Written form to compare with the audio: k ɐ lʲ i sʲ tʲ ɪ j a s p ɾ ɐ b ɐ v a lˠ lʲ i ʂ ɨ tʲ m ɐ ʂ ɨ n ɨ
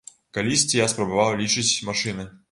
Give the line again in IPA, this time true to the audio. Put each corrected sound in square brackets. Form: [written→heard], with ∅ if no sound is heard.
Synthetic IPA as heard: k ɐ lʲ i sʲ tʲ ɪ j a s p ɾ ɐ b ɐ v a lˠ lʲ i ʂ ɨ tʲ m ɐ ʂ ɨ n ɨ